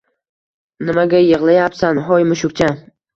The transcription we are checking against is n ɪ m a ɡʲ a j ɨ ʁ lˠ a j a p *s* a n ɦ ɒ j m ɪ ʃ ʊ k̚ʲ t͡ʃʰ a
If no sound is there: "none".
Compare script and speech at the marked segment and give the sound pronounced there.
s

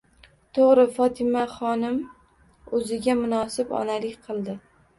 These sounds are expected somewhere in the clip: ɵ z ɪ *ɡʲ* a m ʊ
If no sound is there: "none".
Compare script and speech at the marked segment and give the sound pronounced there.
ɡʲ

